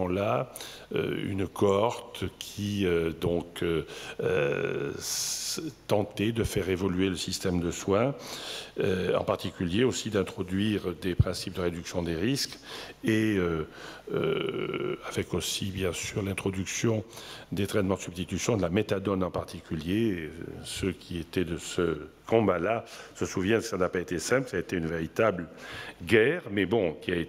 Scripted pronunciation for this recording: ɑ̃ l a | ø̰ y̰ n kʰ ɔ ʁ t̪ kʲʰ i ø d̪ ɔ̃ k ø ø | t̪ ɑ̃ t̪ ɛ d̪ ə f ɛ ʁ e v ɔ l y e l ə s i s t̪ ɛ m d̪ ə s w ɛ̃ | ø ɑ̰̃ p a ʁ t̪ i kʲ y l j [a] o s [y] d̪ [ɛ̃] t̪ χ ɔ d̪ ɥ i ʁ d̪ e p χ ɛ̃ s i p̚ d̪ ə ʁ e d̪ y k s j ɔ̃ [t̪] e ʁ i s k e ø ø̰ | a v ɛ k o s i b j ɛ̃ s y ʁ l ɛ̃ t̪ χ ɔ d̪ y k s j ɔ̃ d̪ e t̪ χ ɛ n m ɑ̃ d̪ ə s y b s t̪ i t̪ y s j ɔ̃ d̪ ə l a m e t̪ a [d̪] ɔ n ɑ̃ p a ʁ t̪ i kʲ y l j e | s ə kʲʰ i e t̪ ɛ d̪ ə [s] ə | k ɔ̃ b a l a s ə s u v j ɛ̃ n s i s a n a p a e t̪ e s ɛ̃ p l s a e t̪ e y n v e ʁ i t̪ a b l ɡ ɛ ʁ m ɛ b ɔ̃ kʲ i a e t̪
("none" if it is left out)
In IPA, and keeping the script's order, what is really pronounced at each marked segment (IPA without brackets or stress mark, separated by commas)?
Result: e, i, ɛ̃, d̪, d̪, s